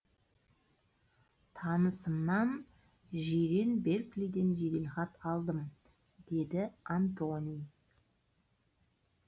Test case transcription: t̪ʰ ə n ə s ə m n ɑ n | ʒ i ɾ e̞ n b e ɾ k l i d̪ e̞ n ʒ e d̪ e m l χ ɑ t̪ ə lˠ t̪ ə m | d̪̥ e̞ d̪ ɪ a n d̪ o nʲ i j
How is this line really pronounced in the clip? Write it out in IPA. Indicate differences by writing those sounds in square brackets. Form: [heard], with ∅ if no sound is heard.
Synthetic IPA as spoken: t̪ʰ [ɑ] n ə s ə m n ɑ n | ʒ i ɾ e̞ n b e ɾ k l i d̪ e̞ n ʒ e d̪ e [∅] l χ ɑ t̪ [ɑ] lˠ [d̪] ə m | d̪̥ e̞ d̪ ɪ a n [t̪] o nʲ i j